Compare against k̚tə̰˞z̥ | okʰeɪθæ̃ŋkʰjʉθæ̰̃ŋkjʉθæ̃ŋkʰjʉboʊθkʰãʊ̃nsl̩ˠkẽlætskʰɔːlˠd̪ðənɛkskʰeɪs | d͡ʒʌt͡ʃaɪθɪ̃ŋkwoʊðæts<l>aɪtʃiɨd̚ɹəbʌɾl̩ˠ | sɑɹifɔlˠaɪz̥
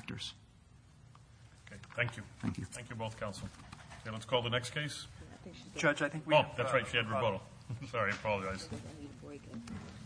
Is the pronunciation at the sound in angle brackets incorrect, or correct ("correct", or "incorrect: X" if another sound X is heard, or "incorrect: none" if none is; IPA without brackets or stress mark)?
incorrect: ɹ